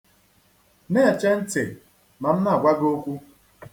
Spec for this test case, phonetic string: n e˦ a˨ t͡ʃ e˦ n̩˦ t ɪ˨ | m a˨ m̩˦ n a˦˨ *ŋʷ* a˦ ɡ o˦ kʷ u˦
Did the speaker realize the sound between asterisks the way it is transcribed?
no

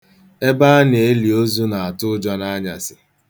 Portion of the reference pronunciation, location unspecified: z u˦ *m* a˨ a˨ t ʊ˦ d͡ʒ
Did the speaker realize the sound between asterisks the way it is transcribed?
no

